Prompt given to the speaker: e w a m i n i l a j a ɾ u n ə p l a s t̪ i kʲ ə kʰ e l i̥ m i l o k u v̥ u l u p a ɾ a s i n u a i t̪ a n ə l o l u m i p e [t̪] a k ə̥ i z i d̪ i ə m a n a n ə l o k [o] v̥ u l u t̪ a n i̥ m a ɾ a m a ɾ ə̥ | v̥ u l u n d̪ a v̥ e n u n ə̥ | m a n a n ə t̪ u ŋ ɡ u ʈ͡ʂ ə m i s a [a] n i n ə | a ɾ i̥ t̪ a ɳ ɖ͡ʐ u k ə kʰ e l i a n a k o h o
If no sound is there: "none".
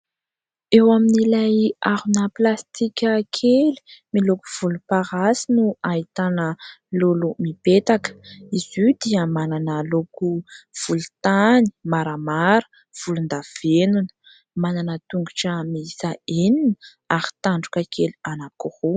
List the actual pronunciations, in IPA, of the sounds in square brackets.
t̪, u, e

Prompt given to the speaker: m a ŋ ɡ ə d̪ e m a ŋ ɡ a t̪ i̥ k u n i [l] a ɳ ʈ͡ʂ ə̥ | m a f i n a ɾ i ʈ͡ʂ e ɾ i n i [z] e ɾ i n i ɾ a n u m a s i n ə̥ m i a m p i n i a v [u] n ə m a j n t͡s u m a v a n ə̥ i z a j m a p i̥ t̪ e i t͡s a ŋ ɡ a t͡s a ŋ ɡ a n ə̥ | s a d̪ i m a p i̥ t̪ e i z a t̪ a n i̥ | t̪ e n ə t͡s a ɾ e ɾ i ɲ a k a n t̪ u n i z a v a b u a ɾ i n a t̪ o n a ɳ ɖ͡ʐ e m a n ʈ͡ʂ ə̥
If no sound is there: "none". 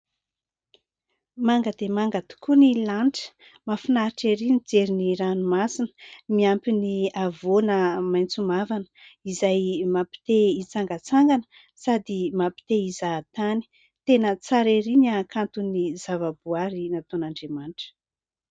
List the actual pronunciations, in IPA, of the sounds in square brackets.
l, d͡z, o

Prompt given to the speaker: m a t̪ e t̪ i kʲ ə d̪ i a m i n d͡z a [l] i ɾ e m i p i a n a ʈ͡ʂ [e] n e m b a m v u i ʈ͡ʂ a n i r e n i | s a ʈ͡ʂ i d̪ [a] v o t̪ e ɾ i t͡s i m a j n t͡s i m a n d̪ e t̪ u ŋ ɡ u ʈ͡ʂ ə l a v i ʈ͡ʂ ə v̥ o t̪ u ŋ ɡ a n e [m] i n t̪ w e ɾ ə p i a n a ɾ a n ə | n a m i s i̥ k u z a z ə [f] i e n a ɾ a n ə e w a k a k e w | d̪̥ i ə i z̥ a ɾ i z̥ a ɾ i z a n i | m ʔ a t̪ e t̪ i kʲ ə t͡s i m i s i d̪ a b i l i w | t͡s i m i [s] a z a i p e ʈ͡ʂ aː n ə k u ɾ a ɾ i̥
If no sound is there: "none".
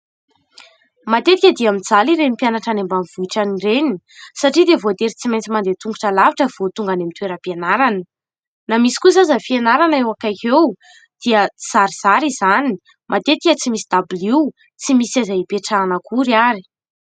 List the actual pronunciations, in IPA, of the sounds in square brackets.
l, a, e, m, f, s

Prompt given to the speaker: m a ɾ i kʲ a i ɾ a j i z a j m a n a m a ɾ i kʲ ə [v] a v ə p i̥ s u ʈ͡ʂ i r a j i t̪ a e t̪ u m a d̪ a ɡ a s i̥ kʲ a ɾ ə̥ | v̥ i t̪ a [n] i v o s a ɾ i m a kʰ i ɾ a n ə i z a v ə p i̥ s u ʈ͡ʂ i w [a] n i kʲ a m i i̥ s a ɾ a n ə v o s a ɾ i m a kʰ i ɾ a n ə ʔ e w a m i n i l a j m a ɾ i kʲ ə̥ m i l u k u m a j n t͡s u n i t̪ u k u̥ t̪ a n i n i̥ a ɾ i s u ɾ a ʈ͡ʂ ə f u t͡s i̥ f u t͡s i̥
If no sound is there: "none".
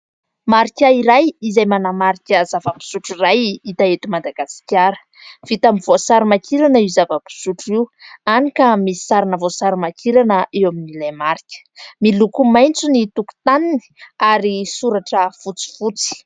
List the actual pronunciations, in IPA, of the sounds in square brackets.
z, m, a

